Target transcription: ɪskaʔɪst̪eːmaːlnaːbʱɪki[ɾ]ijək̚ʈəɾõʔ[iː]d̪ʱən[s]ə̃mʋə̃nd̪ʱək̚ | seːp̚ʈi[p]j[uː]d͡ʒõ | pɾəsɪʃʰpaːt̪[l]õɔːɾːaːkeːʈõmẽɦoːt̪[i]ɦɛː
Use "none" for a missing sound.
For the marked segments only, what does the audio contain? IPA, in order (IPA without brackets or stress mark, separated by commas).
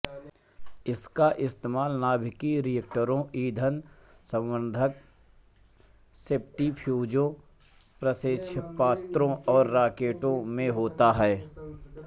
ɾ, iː, s, pʰ, uː, ɾ, a